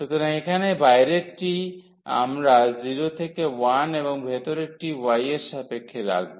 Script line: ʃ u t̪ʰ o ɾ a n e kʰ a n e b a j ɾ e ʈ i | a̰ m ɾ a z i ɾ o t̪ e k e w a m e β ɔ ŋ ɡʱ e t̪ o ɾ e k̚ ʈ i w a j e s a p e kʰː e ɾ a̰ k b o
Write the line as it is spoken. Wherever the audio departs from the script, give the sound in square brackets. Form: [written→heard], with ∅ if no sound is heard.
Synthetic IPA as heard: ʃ u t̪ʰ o ɾ a [n→ŋ] e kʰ a n e b a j ɾ e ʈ i | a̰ m ɾ a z i ɾ o [t̪→t̪ʰ] e k e w a [m→n] e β [ɔ→o] ŋ [ɡʱ→bʱ] e t̪ o ɾ e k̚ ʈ i w a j e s a p e kʰː e ɾ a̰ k b o